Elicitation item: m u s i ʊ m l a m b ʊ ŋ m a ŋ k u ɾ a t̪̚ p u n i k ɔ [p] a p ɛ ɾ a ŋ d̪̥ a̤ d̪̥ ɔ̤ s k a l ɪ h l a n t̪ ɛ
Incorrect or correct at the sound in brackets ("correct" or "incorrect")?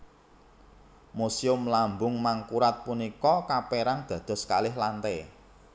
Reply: incorrect